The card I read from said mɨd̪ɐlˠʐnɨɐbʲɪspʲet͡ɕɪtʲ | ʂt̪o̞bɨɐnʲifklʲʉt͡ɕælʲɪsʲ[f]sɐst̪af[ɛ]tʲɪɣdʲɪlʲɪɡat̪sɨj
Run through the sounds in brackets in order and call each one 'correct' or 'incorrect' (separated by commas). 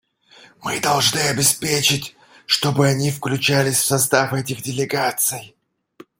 correct, correct